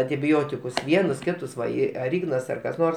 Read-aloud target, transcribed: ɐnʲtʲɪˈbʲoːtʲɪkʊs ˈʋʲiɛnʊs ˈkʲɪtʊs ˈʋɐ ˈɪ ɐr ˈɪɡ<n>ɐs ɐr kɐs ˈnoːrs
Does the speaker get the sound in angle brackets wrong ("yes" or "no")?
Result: no